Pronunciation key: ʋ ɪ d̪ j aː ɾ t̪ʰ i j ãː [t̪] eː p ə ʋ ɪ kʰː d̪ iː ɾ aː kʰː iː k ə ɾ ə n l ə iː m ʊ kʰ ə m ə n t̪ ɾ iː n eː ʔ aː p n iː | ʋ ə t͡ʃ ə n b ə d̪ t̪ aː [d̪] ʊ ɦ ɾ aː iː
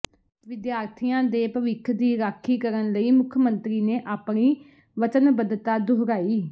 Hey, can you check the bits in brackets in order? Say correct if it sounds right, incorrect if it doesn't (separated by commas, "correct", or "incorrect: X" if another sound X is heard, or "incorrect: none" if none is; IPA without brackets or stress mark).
incorrect: d̪, correct